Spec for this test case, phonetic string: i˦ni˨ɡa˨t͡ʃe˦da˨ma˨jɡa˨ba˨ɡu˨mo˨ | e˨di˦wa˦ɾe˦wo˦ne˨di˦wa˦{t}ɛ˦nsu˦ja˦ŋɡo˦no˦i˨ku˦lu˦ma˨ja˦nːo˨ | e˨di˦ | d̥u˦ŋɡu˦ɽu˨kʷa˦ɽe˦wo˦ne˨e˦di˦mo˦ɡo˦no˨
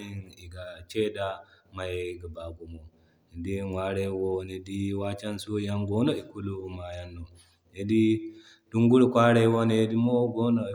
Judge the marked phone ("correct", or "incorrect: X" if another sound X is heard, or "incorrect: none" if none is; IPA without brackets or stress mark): incorrect: t͡ʃ